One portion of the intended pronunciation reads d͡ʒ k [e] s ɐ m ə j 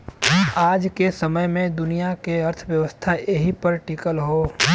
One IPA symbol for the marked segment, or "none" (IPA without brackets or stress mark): e